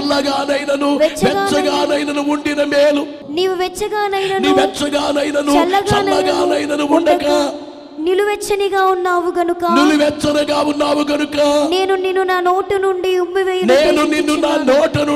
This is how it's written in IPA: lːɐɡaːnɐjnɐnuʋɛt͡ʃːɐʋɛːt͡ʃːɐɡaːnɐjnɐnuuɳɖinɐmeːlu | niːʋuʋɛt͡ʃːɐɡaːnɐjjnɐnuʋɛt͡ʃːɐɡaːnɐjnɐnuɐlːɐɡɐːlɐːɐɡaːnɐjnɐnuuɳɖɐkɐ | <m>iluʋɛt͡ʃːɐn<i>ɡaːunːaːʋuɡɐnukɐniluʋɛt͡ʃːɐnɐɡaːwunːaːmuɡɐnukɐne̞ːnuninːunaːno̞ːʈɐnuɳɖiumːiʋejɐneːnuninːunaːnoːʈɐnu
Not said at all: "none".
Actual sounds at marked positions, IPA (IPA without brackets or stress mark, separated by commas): n, i